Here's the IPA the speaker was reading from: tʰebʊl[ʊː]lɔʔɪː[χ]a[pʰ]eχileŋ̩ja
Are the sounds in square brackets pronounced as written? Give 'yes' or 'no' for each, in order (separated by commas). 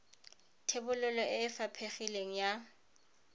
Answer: no, no, yes